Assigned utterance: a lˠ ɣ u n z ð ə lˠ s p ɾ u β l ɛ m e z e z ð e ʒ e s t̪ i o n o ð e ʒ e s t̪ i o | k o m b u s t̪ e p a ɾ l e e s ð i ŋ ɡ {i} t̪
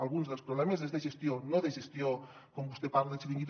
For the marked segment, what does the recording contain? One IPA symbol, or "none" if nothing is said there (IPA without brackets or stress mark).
i